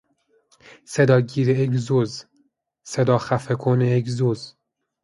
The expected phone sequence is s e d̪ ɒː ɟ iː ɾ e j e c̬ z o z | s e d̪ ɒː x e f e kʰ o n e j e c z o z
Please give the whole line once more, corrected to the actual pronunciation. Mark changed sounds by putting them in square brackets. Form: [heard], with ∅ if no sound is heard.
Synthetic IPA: s e d̪ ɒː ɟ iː ɾ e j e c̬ z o z | s e d̪ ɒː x [æ] f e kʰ o n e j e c z o z